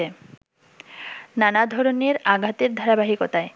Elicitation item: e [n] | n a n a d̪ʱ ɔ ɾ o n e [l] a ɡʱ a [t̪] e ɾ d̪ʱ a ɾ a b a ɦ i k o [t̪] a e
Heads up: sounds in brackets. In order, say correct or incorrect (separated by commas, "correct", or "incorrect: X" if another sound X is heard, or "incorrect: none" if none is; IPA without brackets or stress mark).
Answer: incorrect: none, incorrect: ɾ, correct, correct